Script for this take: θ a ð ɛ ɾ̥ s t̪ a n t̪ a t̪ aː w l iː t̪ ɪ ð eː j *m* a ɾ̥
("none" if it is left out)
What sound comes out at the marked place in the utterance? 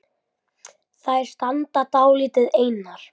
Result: n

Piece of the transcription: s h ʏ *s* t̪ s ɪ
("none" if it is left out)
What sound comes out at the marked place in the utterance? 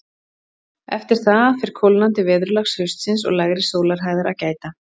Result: s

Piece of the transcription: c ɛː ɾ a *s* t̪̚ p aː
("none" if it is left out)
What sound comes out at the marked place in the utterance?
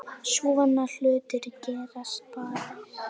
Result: s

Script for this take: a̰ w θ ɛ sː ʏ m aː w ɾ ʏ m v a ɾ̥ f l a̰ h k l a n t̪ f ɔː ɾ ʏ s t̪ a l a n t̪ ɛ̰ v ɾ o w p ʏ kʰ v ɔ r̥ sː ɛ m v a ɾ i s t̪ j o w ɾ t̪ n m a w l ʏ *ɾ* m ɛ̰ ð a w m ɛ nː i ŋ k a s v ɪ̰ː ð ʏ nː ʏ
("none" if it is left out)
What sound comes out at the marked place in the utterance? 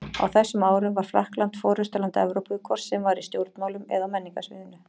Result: none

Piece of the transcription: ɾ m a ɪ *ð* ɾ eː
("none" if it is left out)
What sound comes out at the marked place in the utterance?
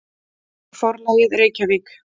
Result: ð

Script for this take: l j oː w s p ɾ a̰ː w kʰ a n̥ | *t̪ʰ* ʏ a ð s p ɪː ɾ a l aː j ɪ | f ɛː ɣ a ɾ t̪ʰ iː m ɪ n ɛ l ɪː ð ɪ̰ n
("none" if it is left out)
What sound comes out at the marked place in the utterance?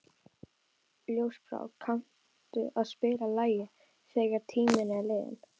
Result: t̪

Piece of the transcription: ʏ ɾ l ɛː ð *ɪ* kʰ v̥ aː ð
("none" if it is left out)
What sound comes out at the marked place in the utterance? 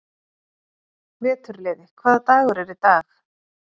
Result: ɪ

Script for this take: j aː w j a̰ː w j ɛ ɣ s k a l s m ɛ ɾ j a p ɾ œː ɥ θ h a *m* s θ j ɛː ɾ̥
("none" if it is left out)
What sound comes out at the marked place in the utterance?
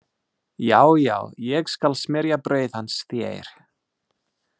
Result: n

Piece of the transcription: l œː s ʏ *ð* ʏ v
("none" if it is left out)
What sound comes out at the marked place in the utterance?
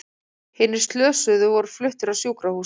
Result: ð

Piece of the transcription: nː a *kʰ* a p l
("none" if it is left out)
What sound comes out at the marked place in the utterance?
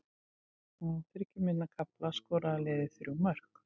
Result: kʰ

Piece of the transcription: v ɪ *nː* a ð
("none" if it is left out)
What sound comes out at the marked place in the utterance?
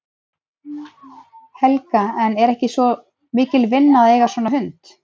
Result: nː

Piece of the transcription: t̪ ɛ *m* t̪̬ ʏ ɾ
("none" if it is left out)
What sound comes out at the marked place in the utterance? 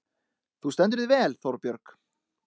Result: n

